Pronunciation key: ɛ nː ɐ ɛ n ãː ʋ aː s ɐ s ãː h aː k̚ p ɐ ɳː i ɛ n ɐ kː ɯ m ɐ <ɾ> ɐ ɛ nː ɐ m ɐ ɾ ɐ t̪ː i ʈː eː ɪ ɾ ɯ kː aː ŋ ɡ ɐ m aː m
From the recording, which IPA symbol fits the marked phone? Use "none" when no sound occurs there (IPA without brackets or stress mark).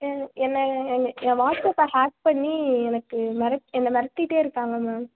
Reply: ɾ